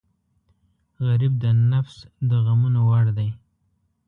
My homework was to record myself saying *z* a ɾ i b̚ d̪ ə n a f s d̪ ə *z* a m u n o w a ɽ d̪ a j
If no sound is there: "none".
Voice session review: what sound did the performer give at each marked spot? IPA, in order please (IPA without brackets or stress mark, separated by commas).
ɣ, ɣ